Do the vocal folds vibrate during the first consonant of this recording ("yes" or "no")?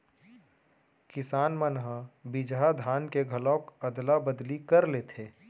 no